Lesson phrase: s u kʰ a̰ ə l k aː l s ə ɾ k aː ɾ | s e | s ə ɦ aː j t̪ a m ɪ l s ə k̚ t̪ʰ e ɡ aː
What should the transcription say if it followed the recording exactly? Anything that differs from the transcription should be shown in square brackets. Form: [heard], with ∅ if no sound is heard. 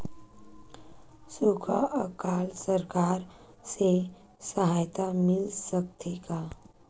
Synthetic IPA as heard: s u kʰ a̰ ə [∅] k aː l s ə ɾ k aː ɾ | s e | s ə ɦ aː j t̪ a m ɪ l s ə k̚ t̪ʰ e ɡ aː